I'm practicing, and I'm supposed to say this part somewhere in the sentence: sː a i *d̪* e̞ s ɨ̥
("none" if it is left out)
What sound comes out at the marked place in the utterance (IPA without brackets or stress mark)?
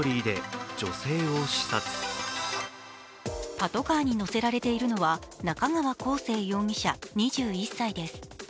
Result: d̪